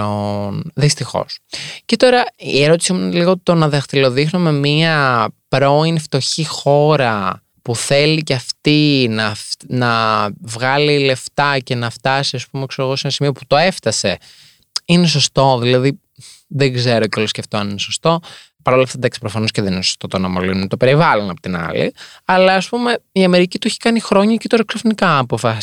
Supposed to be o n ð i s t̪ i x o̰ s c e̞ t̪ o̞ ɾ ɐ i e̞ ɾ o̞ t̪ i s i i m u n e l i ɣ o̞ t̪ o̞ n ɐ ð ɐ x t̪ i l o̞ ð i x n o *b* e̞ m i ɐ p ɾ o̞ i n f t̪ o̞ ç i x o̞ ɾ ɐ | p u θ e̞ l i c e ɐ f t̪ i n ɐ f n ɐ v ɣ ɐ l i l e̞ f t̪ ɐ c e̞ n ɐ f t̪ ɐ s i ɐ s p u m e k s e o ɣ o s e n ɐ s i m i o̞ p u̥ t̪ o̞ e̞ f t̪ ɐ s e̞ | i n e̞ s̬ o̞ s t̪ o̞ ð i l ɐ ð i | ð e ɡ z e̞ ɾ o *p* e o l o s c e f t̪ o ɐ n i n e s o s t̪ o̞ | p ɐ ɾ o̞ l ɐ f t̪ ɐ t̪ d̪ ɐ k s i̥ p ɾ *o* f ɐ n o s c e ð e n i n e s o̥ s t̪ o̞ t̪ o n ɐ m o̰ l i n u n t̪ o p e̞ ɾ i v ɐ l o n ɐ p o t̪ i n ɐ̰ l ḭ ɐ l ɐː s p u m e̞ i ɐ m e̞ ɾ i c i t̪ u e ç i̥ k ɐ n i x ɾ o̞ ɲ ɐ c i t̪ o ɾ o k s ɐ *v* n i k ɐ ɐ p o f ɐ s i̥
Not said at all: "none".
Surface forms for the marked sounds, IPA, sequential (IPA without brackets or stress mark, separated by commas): m, c, o, f